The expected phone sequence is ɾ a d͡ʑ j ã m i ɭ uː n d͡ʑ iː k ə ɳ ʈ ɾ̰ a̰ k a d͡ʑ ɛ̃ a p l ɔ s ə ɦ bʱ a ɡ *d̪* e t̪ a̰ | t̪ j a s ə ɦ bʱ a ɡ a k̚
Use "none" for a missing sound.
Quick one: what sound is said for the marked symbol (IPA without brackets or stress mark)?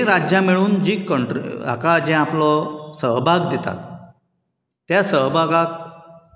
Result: d̪